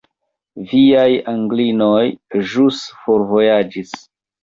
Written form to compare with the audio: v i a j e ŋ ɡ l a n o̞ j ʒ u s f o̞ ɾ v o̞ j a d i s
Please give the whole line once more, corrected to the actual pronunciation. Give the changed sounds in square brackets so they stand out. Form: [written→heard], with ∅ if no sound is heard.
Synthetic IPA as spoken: v i a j [e→a] ŋ ɡ l [a→i] n o̞ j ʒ u s f o̞ ɾ v o̞ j a [d→d͡ʒ] i s